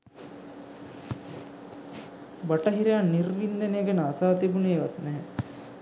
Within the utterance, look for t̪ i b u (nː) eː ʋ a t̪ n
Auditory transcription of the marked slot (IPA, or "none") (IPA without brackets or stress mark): n